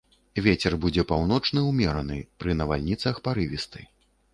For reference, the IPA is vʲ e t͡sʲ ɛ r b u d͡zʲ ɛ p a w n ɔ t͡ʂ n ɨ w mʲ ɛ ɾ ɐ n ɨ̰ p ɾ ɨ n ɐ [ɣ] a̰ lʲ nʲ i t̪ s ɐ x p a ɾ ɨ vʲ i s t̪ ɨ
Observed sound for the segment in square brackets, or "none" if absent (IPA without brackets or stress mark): v